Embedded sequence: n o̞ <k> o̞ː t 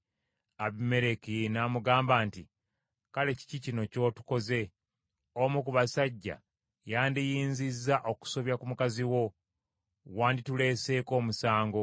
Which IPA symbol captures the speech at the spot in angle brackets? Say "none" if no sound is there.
c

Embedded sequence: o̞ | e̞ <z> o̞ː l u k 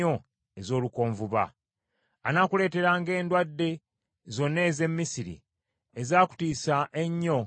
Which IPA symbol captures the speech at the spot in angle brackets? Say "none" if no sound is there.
z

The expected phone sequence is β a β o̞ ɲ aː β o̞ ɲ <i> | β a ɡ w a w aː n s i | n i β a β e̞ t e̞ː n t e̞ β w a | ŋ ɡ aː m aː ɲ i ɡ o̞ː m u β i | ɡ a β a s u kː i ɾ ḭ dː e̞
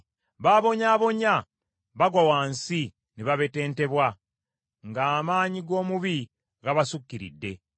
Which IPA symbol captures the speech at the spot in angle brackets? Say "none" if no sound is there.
a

